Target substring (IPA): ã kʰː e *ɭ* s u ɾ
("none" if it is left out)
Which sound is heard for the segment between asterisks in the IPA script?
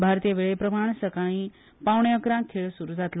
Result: ɭ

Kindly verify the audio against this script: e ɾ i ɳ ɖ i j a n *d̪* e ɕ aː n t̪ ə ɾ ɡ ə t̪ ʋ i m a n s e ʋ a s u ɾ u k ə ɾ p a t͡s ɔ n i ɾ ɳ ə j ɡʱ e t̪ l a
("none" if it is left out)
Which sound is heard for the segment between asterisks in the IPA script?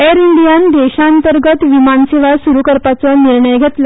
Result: d̪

